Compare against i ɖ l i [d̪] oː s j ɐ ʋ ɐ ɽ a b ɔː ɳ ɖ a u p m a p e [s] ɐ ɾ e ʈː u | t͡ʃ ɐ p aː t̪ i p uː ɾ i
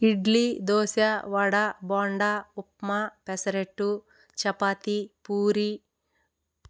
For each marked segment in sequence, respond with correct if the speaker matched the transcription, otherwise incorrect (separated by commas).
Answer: correct, correct